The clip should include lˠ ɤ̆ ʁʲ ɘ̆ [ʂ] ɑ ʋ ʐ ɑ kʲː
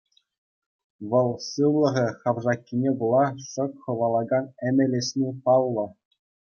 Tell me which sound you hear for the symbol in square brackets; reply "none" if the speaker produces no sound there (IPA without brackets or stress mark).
χ